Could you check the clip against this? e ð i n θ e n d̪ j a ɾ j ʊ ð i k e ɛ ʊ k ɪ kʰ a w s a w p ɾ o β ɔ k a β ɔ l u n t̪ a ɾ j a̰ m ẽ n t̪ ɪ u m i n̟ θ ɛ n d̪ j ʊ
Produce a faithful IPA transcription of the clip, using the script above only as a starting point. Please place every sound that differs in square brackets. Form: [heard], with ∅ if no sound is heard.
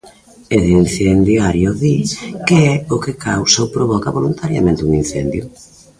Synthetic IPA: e ð i n θ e n d̪ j a ɾ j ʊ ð i k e ɛ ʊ k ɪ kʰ a w s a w p ɾ o β ɔ k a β [o] l u n t̪ a ɾ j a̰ m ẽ n t̪ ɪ u [ŋ] i n̟ θ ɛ n d̪ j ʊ